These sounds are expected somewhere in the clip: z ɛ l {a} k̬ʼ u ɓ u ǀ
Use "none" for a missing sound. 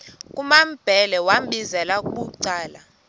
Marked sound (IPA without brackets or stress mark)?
a